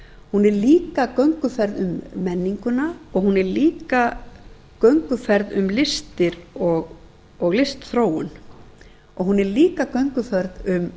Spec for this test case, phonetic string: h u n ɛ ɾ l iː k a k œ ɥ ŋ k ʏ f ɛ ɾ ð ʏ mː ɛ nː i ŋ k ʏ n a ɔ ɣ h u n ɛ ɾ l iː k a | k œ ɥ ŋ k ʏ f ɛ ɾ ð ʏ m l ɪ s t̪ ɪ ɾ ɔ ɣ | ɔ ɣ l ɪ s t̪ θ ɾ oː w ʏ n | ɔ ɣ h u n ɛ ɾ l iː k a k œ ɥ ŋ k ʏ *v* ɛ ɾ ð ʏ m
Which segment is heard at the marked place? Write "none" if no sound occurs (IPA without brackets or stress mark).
f